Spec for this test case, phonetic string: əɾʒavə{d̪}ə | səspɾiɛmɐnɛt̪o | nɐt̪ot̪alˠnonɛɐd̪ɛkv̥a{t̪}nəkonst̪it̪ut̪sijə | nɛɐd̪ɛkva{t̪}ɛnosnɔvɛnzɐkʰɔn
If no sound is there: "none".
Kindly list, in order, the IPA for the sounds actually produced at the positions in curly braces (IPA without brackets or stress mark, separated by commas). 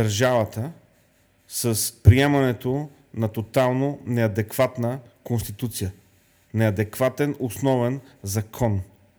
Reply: t̪, t̪, t̪